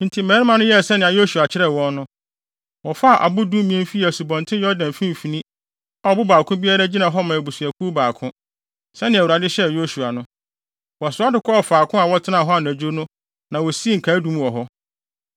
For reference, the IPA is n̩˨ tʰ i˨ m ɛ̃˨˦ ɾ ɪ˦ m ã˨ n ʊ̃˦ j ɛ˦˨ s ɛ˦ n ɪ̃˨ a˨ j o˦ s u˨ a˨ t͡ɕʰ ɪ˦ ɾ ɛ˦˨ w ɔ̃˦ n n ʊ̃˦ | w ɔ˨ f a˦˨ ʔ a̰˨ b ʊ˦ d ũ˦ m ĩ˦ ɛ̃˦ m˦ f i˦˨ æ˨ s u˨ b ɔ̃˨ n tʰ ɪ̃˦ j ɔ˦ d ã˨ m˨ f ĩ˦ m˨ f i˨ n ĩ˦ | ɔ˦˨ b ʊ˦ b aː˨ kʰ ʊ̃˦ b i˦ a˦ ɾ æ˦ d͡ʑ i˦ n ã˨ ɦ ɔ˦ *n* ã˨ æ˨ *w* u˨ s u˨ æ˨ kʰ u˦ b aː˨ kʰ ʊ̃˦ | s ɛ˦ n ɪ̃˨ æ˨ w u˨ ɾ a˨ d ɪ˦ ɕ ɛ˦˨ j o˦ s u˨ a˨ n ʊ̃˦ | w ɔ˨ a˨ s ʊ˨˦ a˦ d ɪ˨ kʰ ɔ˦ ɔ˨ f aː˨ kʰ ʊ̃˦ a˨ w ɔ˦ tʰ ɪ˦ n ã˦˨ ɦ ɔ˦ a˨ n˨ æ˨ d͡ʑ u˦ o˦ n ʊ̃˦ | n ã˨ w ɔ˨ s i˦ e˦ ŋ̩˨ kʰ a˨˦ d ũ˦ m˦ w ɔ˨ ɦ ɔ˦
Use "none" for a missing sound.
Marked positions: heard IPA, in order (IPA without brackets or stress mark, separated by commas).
m, b